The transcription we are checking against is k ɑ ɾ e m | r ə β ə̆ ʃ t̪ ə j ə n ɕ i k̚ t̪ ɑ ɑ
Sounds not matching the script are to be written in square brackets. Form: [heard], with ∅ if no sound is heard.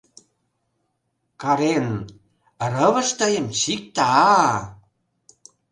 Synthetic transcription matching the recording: k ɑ ɾ e [n] | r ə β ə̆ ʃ t̪ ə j ə [m] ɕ i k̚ t̪ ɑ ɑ